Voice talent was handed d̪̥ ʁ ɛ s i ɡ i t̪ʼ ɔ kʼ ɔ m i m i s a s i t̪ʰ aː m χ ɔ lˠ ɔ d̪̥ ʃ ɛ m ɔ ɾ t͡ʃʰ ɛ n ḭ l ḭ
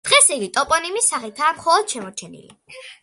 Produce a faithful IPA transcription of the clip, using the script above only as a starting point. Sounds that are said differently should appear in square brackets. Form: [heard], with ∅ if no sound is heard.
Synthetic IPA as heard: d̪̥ ʁ ɛ s i ɡ i t̪ʼ ɔ [pʼ] ɔ [n] i m i s a [χ] i t̪ʰ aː m χ ɔ lˠ ɔ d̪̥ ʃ ɛ m ɔ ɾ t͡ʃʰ ɛ n ḭ l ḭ